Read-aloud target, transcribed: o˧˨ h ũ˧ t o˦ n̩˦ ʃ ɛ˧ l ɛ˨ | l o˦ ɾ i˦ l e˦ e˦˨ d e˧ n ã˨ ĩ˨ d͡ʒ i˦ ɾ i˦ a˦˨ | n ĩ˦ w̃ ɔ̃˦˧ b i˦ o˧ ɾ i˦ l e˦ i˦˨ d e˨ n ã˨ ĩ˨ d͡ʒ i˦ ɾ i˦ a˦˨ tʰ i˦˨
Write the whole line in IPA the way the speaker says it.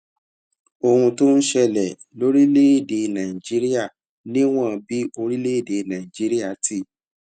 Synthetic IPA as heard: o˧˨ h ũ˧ t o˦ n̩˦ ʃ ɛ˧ l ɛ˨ | l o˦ ɾ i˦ l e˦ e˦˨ d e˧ n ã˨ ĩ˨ d͡ʒ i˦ ɾ i˦ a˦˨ | n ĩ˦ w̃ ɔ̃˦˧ b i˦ o˧ ɾ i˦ l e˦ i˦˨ d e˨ n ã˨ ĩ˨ d͡ʒ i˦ ɾ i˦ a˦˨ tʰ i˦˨